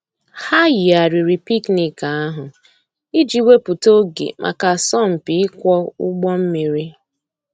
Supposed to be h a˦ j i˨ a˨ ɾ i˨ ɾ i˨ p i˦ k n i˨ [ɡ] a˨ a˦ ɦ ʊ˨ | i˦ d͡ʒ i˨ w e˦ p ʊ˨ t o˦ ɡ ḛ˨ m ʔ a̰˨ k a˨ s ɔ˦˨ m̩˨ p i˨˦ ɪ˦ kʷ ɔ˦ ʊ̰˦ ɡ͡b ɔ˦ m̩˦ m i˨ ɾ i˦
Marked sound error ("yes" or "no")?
yes